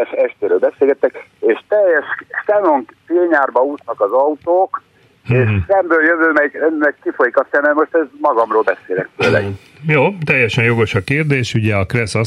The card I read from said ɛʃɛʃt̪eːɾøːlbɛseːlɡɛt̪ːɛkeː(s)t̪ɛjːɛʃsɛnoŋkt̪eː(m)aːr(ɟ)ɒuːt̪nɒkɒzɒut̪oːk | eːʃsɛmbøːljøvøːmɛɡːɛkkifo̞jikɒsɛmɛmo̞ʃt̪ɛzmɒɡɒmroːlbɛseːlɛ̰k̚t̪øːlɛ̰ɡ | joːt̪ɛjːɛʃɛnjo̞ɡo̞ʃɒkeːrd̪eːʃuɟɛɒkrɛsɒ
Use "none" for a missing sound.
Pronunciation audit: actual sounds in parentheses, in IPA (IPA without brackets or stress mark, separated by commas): ʃ, ɲ, b